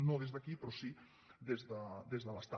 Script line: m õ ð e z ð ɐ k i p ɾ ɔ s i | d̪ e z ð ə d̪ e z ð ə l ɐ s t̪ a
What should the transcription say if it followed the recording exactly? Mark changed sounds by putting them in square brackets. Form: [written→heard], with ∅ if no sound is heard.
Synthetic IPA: [m→n] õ ð e z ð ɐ k i p ɾ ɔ s i | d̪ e z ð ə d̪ e z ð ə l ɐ s t̪ a